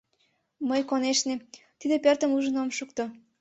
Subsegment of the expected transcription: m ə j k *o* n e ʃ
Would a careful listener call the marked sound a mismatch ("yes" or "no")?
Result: no